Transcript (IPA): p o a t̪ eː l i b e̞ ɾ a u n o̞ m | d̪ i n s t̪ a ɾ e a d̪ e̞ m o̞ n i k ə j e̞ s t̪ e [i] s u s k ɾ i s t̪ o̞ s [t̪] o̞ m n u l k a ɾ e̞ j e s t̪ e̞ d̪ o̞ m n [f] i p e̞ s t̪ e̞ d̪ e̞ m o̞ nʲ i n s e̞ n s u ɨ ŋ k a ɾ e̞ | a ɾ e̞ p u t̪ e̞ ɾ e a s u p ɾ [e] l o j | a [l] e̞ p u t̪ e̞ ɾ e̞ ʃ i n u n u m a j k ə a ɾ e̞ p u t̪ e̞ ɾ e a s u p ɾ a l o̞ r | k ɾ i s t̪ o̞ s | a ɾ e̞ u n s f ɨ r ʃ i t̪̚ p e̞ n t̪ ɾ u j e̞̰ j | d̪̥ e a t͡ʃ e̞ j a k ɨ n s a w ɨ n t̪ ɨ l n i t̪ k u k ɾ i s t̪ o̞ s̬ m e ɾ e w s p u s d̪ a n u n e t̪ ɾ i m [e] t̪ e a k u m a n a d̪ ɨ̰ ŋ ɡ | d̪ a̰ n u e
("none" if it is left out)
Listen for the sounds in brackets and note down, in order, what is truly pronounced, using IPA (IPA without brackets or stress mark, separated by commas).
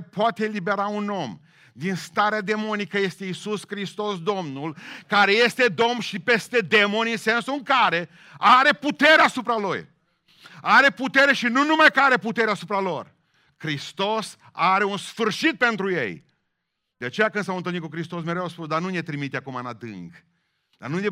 i, d̪, ʃ, a, ɾ, i